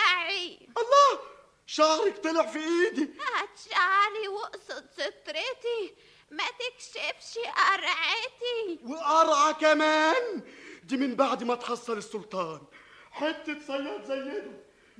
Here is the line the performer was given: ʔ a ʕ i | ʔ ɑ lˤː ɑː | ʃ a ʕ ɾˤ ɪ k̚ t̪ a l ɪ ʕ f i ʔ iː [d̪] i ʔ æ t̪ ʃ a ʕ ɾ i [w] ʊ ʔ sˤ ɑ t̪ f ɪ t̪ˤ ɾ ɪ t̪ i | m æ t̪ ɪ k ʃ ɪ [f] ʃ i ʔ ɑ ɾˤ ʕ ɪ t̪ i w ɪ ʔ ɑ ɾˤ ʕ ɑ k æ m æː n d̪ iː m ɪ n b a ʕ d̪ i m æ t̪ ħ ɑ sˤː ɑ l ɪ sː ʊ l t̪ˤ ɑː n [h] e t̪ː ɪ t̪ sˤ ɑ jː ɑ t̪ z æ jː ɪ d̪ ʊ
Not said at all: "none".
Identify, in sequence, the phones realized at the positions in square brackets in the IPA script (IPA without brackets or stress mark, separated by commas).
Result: d̪, w, f, ħ